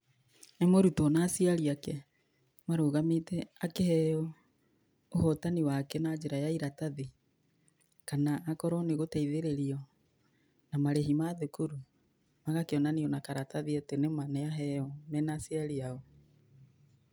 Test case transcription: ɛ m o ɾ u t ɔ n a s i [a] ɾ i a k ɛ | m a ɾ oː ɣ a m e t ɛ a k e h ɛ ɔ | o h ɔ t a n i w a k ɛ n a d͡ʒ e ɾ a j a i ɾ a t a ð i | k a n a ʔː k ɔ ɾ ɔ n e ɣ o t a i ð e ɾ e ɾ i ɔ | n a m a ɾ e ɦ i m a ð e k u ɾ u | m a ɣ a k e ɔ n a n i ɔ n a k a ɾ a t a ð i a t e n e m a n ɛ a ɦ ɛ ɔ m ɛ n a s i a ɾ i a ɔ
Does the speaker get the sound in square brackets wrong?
no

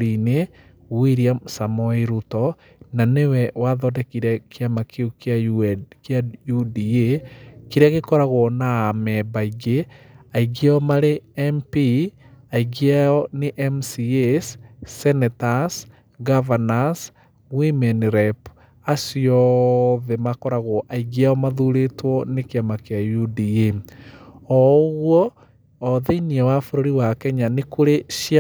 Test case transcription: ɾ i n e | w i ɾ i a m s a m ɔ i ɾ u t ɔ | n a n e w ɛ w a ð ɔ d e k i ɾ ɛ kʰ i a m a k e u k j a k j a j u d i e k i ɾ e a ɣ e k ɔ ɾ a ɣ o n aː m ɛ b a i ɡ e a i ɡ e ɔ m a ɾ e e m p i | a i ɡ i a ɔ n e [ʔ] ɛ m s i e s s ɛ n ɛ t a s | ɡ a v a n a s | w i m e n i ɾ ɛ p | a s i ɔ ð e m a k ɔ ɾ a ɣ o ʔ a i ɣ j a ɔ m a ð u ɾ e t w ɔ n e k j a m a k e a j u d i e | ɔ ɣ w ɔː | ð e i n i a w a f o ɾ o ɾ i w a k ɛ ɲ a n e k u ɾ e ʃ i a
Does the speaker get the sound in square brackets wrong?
no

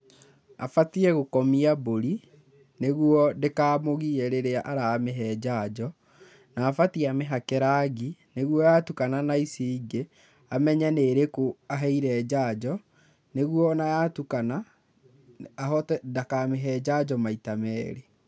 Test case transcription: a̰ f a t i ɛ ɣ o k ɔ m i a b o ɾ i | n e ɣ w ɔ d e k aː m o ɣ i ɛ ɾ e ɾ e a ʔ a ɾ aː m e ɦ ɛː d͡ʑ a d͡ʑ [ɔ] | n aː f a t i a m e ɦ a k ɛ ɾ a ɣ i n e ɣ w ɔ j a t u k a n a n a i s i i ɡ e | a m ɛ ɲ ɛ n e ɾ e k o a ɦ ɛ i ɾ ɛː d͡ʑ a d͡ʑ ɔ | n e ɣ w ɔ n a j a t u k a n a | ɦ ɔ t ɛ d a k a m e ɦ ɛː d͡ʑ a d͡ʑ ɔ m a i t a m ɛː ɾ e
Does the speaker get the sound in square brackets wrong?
no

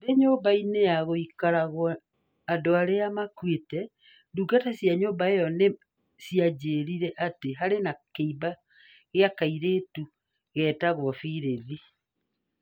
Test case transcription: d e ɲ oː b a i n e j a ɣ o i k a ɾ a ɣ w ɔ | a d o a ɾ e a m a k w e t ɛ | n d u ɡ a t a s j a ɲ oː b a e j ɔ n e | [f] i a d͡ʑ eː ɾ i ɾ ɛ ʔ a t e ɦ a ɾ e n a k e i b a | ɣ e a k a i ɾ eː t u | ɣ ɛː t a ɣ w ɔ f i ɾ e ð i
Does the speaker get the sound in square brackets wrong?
yes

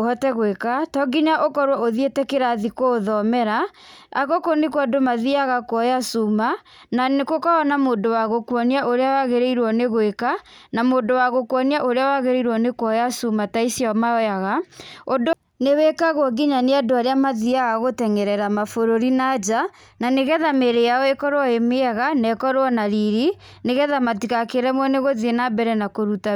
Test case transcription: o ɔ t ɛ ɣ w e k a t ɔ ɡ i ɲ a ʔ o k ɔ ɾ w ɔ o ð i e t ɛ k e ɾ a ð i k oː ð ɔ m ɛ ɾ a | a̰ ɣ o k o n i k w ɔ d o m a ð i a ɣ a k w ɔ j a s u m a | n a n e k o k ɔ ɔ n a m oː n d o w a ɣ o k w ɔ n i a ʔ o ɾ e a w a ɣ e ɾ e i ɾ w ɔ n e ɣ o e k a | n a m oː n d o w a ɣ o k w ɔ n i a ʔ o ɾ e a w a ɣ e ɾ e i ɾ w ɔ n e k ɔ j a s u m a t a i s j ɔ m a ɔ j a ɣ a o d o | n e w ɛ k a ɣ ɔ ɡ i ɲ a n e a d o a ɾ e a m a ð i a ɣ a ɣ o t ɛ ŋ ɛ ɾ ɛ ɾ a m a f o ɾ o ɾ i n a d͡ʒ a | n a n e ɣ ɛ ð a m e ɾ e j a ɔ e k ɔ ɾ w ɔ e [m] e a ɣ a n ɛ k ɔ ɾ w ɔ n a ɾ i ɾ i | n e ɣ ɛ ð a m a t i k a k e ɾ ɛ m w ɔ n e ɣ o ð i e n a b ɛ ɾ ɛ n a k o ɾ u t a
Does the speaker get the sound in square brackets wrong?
no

